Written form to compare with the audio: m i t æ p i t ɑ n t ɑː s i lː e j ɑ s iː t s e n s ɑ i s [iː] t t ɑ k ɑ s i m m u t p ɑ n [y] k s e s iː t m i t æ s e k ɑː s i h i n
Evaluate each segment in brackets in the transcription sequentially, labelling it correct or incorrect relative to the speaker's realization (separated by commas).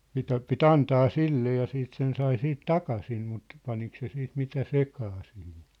correct, incorrect